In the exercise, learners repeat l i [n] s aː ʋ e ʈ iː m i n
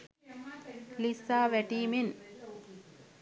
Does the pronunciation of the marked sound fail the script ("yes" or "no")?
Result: yes